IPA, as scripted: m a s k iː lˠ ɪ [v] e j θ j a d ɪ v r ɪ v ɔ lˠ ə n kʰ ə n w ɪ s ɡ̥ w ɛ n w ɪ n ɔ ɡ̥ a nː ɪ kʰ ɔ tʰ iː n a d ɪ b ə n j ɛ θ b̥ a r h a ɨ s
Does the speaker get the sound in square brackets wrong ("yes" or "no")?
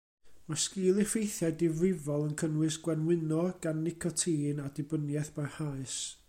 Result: yes